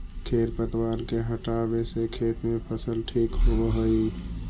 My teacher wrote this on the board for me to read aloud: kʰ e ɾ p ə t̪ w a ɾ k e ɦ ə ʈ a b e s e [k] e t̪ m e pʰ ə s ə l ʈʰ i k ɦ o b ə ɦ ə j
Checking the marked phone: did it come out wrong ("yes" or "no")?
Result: yes